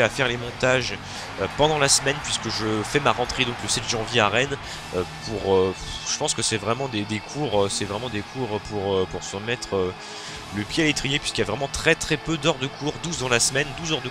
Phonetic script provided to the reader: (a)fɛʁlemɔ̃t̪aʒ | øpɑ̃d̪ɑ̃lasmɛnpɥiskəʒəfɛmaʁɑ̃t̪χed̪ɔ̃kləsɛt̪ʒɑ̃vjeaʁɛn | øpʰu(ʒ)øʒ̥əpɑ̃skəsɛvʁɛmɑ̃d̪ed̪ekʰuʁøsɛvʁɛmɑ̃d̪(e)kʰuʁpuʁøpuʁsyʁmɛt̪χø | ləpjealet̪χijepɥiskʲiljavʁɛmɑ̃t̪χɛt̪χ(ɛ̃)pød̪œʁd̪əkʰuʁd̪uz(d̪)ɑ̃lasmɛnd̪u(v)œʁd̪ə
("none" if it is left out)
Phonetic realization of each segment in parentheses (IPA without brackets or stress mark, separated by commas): a, ʁ, e, ɛ, d̪, z